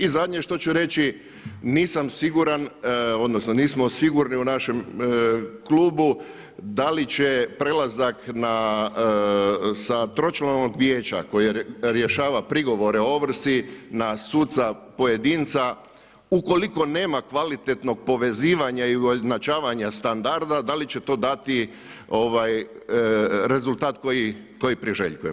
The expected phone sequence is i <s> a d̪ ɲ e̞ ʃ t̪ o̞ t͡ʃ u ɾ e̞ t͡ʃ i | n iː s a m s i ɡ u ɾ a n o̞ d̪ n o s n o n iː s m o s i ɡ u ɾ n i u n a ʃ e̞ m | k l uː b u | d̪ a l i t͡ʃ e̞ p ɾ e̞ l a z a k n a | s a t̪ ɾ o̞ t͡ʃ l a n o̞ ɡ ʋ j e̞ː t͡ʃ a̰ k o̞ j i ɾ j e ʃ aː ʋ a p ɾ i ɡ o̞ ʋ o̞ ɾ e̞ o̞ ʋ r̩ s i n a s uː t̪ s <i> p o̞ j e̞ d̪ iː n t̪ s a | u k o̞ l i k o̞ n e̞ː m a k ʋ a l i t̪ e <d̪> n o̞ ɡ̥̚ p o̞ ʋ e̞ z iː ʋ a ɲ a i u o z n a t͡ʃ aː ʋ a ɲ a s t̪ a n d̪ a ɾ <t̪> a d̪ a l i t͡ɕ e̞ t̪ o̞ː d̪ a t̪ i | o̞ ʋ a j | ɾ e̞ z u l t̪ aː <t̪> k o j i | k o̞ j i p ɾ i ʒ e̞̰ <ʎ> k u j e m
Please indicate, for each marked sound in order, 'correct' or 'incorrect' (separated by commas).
incorrect, incorrect, incorrect, incorrect, correct, correct